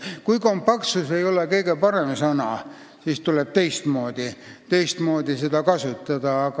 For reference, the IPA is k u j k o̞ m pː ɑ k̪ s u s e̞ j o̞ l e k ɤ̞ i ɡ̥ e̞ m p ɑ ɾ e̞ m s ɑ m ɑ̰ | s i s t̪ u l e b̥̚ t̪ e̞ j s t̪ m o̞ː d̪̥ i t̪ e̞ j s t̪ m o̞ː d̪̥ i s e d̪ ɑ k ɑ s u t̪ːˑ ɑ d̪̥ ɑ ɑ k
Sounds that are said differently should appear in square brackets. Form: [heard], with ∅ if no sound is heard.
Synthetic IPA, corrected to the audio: k u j k o̞ m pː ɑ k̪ s u s e̞ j o̞ l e k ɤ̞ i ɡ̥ e̞ [∅] p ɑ ɾ e̞ m s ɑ [n] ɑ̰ | s i s t̪ u l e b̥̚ t̪ e̞ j s t̪ m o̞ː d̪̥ i t̪ e̞ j s t̪ m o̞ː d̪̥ i s e d̪ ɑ k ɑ s u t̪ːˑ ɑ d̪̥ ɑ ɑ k